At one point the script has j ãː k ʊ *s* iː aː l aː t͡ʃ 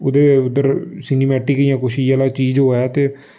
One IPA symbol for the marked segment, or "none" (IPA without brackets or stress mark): ʃ